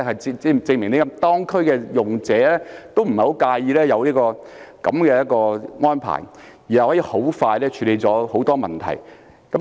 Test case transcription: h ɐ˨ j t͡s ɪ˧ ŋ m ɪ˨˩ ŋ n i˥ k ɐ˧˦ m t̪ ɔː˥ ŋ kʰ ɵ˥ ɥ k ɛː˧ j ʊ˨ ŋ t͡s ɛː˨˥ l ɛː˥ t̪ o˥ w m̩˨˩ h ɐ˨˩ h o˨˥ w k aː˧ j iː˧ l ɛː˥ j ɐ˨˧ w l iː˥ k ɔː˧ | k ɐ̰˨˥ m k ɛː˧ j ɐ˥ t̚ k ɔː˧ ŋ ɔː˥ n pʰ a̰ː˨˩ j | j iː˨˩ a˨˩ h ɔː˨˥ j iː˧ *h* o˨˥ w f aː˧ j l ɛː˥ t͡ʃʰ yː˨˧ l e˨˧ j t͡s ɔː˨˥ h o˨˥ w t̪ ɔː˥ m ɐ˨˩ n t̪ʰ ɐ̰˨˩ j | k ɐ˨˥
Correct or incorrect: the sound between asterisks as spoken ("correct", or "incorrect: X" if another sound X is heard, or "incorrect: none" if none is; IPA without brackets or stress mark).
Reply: correct